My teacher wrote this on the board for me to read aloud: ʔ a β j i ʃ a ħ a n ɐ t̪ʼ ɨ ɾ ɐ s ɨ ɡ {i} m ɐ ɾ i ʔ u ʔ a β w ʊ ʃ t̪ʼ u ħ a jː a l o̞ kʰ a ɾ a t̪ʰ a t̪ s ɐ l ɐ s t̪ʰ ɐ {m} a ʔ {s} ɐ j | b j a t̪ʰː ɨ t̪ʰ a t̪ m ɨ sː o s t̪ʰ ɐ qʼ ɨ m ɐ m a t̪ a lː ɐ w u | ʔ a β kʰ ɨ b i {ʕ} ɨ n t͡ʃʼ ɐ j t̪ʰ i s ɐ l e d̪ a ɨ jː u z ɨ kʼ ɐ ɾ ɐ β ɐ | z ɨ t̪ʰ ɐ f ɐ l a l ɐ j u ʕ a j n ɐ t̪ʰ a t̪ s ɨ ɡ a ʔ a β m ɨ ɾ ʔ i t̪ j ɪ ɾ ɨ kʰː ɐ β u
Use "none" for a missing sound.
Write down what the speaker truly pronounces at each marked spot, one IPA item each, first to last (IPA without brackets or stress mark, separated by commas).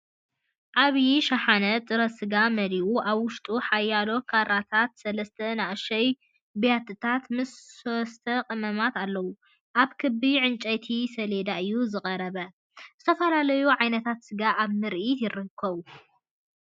a, n, ʃ, ʕ